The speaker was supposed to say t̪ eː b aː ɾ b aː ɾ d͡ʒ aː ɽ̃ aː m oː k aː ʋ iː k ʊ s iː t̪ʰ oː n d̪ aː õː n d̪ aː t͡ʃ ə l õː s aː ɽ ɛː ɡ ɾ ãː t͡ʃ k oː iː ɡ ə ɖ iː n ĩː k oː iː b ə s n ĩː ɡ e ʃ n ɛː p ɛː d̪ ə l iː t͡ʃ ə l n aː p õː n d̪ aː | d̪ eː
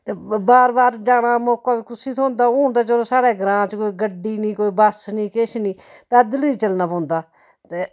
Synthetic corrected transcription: t̪ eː b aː ɾ b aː ɾ d͡ʒ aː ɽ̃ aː m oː k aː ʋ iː k ʊ s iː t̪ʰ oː n d̪ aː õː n d̪ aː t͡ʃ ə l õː s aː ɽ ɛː ɡ ɾ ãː t͡ʃ k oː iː ɡ ə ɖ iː n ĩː k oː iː b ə s n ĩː k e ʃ n iː p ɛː d̪ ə l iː t͡ʃ ə l n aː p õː n d̪ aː | t̪ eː